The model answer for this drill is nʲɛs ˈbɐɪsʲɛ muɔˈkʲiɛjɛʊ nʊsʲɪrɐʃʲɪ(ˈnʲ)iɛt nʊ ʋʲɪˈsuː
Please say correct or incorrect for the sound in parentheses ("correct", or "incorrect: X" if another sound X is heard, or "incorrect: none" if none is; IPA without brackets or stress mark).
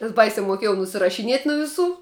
correct